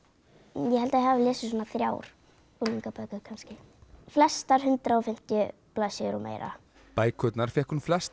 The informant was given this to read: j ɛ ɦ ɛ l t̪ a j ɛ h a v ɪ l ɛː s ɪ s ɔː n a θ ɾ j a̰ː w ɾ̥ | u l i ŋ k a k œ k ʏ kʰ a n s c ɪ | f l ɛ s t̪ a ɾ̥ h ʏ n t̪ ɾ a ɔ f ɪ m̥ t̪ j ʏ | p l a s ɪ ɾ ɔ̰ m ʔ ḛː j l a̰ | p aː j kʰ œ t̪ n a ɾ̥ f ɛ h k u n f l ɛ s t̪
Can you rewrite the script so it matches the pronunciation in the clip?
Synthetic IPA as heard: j ɛ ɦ ɛ l t̪ a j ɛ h a v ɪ l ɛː s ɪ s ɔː n a θ ɾ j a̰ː w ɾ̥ | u l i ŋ k a p œ k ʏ kʰ a n s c ɪ | f l ɛ s t̪ a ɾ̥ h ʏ n t̪ ɾ a ɔ f ɪ m̥ t̪ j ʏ | p l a s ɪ ɾ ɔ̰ m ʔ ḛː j ɾ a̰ | p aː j kʰ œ t̪ n a ɾ̥ f ɛ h k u n f l ɛ s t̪